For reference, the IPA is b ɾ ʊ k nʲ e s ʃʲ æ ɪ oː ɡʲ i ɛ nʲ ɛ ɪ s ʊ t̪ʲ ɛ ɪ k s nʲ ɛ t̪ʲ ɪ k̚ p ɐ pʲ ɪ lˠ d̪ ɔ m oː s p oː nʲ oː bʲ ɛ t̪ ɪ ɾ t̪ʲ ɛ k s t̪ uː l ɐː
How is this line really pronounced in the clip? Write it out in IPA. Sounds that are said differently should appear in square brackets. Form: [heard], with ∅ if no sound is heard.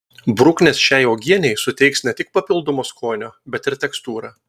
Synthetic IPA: b ɾ ʊ k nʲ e s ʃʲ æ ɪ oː ɡʲ i ɛ nʲ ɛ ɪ s ʊ t̪ʲ ɛ ɪ k s nʲ ɛ t̪ʲ ɪ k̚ p ɐ pʲ ɪ lˠ d̪ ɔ m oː s [k] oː nʲ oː bʲ ɛ t̪ ɪ ɾ t̪ʲ ɛ k s t̪ uː [ɾ] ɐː